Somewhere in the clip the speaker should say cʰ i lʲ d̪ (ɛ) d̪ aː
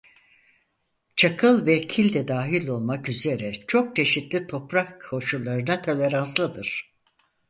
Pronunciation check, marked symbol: correct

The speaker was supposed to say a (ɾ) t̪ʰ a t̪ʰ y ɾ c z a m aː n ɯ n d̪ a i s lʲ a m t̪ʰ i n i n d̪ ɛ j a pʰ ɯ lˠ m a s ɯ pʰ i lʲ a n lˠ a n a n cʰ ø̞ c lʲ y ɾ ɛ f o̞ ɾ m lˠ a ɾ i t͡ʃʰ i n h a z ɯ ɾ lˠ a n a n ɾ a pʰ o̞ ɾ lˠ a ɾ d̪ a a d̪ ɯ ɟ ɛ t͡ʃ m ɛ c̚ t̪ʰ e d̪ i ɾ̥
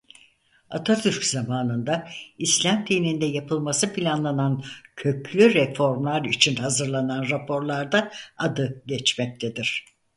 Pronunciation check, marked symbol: incorrect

